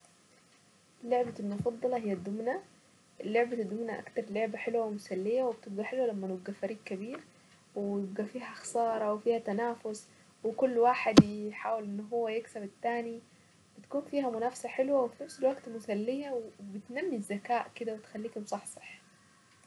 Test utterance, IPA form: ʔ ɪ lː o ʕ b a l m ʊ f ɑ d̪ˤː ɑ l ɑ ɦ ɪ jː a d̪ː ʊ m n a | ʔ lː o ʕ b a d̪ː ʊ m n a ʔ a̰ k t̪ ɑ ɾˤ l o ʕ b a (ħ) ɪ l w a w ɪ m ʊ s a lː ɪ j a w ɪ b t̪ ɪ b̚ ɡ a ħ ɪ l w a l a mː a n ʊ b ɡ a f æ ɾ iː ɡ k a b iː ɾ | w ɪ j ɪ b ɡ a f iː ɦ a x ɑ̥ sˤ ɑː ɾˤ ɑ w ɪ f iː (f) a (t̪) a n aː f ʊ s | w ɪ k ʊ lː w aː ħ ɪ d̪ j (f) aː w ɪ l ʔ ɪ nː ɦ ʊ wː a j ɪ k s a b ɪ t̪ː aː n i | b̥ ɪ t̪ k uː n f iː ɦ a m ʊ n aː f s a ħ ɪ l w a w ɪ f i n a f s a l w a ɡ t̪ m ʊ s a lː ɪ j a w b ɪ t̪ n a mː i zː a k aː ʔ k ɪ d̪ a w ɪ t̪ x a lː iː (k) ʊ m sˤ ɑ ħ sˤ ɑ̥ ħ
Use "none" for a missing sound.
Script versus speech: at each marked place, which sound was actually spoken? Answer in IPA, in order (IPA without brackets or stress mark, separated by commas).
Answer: ħ, h, t̪, ħ, k